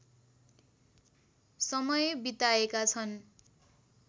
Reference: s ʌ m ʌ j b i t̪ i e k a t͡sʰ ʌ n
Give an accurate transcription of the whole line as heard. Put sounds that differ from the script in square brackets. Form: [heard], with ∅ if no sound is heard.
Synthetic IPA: s ʌ m ʌ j b i t̪ [a] e k a t͡sʰ ʌ n